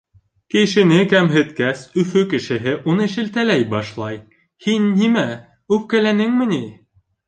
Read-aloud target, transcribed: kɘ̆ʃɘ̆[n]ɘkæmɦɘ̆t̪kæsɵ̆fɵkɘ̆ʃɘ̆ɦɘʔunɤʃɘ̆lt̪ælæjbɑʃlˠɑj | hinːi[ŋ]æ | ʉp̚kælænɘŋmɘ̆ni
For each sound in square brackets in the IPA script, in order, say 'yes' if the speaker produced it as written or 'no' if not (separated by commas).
yes, no